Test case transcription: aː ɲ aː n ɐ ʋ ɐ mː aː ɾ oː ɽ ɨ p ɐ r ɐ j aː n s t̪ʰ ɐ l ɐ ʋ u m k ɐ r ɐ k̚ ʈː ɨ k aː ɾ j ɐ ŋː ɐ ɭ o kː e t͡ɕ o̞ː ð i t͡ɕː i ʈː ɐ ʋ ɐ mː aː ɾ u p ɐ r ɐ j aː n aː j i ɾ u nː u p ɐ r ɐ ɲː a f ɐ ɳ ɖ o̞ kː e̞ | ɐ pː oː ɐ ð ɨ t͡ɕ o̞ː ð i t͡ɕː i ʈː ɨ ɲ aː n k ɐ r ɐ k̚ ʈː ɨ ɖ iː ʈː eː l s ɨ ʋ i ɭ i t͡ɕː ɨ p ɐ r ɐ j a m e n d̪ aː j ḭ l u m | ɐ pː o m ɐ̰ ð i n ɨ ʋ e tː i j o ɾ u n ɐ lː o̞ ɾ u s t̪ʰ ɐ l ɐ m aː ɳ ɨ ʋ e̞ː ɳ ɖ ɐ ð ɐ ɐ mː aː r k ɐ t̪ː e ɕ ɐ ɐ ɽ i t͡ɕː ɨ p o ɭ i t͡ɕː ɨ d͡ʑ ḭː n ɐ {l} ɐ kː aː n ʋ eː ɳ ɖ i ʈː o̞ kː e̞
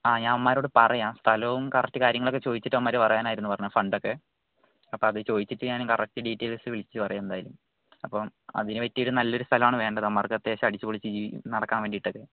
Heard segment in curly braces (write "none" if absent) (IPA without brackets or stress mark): ɽ